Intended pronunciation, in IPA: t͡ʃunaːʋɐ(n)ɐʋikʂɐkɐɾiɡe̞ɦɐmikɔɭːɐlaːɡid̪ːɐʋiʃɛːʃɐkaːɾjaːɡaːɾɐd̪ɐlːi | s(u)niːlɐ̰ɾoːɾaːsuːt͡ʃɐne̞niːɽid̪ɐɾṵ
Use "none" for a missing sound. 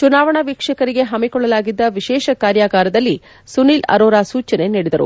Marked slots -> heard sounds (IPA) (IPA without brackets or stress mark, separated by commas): ɳ, u